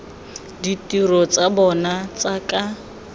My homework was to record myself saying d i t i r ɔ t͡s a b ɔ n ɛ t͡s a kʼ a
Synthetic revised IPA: d i t i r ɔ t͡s a b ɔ n a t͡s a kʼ a